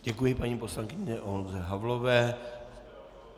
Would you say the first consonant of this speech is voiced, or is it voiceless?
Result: voiced